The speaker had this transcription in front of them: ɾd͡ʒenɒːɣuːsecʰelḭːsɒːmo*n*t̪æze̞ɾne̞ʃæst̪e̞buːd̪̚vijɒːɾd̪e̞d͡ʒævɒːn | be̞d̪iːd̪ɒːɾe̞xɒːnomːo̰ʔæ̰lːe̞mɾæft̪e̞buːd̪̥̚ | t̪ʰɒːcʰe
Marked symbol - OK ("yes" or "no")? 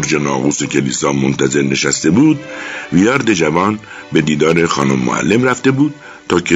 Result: yes